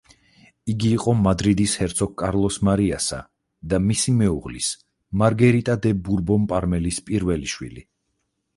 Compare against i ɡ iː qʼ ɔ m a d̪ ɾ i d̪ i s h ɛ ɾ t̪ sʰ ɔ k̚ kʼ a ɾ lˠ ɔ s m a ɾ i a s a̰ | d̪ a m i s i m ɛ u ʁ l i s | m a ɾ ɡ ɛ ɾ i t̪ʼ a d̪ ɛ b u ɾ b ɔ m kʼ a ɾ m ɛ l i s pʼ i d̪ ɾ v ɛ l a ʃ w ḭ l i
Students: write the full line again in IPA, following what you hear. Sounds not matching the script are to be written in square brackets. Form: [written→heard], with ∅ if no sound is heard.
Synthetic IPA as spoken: i ɡ iː qʼ ɔ m a d̪ ɾ i d̪ i s h ɛ ɾ t̪ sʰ ɔ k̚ kʼ a ɾ lˠ ɔ s m a ɾ i a s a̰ | d̪ a m i s i m ɛ u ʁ l i s | m a ɾ ɡ ɛ ɾ i t̪ʼ a d̪ ɛ b u ɾ b ɔ m [kʼ→pʼ] a ɾ m ɛ l i s pʼ i [d̪→∅] ɾ v ɛ l [a→i] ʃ w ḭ l i